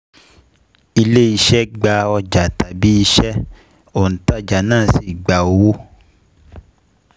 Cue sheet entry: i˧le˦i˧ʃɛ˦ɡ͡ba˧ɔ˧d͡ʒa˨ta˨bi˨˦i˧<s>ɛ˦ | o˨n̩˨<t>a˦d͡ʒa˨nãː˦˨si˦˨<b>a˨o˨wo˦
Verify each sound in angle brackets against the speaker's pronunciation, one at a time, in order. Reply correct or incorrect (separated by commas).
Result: incorrect, correct, incorrect